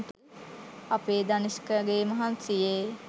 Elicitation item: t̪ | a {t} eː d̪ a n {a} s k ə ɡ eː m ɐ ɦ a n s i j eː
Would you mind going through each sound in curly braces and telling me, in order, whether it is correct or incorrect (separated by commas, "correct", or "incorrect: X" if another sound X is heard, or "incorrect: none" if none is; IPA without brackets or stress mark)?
incorrect: p, incorrect: i